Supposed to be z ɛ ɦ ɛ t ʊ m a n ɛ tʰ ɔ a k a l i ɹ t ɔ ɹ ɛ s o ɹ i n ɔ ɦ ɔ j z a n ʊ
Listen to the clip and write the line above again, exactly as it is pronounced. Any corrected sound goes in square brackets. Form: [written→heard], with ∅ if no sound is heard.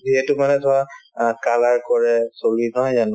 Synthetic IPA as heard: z [ɛ→i] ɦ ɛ t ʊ m a n ɛ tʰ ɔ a k a l [i→a] ɹ [t→k] ɔ ɹ ɛ s o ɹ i n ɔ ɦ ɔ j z a n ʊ